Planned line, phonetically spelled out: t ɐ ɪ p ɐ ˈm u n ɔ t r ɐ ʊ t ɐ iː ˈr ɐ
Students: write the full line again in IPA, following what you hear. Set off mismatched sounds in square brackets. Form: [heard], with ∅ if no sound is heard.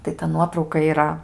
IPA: t ɐ ɪ [t] ɐ [ˈn] u [∅] ɔ t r ɐ ʊ [k] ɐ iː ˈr ɐ

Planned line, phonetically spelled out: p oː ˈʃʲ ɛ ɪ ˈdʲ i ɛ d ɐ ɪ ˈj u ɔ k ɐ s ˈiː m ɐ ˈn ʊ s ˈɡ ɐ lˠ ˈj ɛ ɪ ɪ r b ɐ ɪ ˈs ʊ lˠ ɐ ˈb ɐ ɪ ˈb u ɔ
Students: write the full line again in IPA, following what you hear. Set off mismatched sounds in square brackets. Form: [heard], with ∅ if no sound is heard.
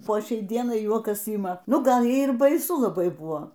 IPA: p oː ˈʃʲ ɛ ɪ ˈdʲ i ɛ [n] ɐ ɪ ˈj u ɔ k ɐ s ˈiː m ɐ ˈn ʊ [∅] ˈɡ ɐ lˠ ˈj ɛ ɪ ɪ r b ɐ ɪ ˈs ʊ lˠ ɐ ˈb ɐ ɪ ˈb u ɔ

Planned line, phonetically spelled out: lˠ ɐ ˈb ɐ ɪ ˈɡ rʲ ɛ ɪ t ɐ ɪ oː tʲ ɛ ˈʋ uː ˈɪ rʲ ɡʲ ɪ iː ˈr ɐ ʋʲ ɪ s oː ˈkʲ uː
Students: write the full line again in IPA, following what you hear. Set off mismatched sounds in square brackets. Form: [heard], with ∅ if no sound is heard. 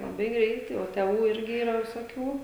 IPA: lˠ ɐ ˈb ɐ ɪ ˈɡ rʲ ɛ ɪ t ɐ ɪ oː tʲ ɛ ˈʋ uː ˈɪ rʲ ɡʲ ɪ iː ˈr ɐ ʋʲ ɪ s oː ˈkʲ uː

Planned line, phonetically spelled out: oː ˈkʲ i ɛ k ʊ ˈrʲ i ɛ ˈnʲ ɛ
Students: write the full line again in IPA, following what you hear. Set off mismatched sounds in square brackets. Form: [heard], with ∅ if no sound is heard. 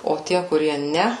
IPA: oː [ˈtʲ] i ɛ k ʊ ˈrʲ i ɛ ˈnʲ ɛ

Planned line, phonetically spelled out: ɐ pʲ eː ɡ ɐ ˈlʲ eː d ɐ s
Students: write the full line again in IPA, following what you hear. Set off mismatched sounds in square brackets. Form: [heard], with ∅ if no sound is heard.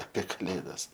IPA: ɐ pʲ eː [k] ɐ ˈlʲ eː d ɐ s

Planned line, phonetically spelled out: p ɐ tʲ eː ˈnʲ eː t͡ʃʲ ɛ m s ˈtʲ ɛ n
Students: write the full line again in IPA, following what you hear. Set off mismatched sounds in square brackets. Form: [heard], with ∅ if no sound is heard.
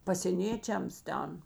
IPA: p ɐ [sʲ] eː ˈnʲ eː t͡ʃʲ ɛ m s ˈtʲ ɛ n

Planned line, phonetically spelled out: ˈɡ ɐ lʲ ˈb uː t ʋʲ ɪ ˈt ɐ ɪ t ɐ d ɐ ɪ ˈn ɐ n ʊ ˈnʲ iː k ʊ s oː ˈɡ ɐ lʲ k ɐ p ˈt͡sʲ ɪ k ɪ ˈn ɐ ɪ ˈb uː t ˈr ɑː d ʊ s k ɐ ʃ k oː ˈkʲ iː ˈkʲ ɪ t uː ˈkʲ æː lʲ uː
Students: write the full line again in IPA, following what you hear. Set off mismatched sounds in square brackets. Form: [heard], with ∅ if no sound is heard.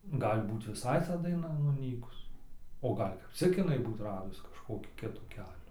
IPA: ˈɡ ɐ lʲ ˈb uː t ʋʲ ɪ [ˈs] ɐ ɪ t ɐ d ɐ ɪ ˈn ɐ n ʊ ˈnʲ iː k ʊ s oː ˈɡ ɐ lʲ k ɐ p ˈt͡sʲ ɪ k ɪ ˈn ɐ ɪ ˈb uː t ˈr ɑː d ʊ s k ɐ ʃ k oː ˈkʲ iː ˈkʲ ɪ t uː ˈkʲ æː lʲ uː

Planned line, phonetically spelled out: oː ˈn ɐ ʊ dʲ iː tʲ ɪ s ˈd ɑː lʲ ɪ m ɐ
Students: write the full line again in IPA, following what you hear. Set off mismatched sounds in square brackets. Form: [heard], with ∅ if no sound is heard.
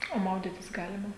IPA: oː [ˈm] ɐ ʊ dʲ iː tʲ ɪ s [ˈɡ] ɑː lʲ ɪ m ɐ

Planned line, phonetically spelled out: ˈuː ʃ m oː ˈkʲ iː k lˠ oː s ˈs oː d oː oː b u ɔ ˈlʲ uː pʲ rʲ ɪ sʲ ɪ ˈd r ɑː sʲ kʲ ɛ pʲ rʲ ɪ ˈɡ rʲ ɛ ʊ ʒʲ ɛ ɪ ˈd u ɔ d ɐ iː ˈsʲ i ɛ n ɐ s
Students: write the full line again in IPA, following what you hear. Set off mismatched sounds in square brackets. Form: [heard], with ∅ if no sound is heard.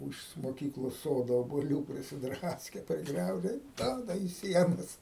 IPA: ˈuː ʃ m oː ˈkʲ iː k lˠ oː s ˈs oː d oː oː b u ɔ ˈlʲ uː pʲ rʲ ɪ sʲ ɪ ˈd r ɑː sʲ kʲ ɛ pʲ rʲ ɪ ˈɡ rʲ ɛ ʊ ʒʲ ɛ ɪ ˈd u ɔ d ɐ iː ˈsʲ i ɛ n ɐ s

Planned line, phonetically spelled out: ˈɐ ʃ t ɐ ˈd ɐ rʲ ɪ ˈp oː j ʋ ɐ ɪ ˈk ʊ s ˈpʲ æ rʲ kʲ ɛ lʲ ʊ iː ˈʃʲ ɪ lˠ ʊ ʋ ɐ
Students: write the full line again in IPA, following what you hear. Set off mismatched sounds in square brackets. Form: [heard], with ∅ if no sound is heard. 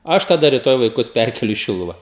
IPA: ˈɐ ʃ t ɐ ˈd ɐ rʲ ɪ [ˈt] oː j ʋ ɐ ɪ ˈk ʊ s ˈpʲ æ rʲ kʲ ɛ lʲ ʊ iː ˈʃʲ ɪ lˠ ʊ ʋ ɐ

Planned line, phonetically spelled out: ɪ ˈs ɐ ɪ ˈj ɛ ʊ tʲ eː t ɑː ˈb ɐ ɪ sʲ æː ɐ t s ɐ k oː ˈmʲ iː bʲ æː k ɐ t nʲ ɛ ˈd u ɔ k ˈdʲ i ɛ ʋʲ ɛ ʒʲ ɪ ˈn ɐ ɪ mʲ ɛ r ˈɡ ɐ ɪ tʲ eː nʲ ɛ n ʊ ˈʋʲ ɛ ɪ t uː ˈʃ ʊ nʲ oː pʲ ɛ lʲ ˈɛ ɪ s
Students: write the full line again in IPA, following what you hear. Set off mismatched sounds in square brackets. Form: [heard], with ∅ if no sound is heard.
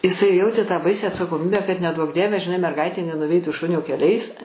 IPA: ɪ ˈs ɐ ɪ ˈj ɛ ʊ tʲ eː t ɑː ˈb ɐ ɪ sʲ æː ɐ t s ɐ k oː ˈmʲ iː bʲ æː k ɐ t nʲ ɛ ˈd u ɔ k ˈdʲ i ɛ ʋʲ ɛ ʒʲ ɪ ˈn ɐ ɪ mʲ ɛ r ˈɡ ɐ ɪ tʲ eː nʲ ɛ n ʊ ˈʋʲ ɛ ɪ t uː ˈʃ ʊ nʲ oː [kʲ] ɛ lʲ ˈɛ ɪ s

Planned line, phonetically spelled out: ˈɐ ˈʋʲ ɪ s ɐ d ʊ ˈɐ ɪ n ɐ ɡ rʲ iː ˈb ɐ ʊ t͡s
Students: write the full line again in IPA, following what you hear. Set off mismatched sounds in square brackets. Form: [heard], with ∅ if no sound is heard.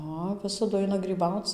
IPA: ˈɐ ˈʋʲ ɪ s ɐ d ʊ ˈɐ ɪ n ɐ ɡ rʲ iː ˈb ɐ ʊ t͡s

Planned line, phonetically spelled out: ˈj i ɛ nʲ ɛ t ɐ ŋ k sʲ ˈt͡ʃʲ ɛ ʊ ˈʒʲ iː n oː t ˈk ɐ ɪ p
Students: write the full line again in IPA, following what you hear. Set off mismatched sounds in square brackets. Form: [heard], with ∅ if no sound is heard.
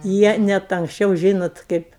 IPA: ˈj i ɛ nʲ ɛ t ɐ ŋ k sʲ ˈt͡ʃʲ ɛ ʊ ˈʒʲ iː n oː t ˈk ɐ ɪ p

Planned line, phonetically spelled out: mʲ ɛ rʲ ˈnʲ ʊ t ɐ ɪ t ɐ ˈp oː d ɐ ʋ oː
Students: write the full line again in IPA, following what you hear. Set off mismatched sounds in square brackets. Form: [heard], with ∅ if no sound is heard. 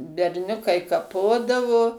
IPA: [bʲ] ɛ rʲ ˈnʲ ʊ [k] ɐ ɪ [k] ɐ ˈp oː d ɐ ʋ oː

